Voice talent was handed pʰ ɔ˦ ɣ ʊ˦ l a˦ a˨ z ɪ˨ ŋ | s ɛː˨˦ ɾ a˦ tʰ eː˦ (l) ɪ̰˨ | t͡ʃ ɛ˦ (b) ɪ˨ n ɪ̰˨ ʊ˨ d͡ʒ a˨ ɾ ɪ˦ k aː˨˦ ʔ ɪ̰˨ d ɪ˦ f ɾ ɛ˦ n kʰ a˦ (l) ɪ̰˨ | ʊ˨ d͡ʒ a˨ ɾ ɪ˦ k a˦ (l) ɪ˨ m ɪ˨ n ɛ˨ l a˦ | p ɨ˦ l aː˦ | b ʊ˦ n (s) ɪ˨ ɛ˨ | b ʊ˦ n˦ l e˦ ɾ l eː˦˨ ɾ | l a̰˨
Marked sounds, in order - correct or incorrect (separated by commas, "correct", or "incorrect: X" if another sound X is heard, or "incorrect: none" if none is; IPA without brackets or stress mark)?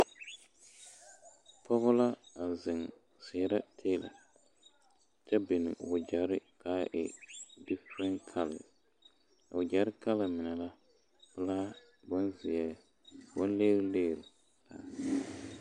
correct, correct, correct, correct, incorrect: z